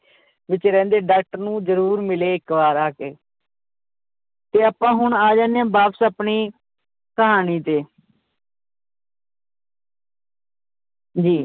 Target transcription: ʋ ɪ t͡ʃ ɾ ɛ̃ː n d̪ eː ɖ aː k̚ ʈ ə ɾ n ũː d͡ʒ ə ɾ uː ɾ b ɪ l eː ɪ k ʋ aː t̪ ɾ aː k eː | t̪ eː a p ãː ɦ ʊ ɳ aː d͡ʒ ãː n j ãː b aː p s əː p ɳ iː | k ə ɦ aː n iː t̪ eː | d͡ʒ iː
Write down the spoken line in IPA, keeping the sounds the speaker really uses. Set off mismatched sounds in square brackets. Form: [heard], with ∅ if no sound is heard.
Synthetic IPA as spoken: ʋ ɪ t͡ʃ ɾ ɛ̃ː n d̪ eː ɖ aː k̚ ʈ ə ɾ n ũː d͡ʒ ə ɾ uː ɾ [m] ɪ l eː ɪ k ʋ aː [∅] ɾ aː k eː | t̪ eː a p ãː ɦ ʊ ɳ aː d͡ʒ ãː n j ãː b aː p s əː p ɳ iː | k ə ɦ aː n iː t̪ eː | d͡ʒ iː